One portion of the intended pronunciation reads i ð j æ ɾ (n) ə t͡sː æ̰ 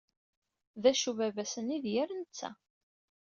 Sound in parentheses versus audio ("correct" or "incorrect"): correct